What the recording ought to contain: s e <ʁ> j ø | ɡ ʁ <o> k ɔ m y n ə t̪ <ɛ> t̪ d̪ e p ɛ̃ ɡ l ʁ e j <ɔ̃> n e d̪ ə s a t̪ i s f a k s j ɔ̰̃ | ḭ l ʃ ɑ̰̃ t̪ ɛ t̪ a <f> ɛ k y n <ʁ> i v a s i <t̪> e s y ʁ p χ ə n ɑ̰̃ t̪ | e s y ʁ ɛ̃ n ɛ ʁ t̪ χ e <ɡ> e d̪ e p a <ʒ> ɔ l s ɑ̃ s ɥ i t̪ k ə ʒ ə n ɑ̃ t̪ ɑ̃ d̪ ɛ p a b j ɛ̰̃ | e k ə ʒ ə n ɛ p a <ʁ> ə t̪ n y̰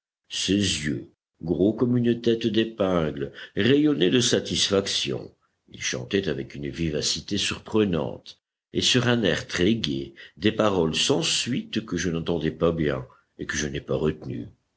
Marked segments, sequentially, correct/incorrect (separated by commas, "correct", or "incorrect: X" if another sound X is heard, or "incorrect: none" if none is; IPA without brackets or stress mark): incorrect: z, correct, correct, incorrect: ɔ, incorrect: v, incorrect: v, correct, correct, incorrect: ʁ, correct